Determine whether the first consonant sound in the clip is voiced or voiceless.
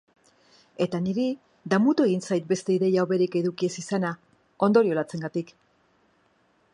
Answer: voiceless